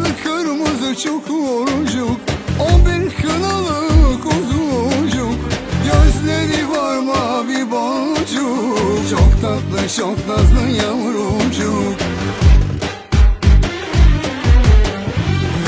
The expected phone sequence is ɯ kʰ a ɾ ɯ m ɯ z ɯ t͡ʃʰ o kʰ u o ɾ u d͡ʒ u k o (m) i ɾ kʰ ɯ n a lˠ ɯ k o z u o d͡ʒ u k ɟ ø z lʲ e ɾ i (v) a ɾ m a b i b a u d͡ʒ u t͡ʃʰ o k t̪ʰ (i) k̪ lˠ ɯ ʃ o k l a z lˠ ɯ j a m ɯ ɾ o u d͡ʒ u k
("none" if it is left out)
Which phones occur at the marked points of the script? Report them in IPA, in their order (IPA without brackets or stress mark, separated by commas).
b, v, a